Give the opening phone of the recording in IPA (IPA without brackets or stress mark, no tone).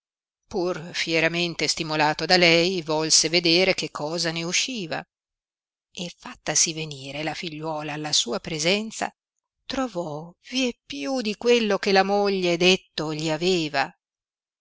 p